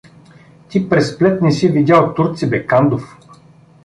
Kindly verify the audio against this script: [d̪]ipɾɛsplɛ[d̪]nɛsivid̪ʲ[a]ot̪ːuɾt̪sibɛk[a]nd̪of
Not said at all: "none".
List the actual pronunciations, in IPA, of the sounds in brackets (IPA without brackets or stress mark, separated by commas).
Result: t̪, t̪, a, a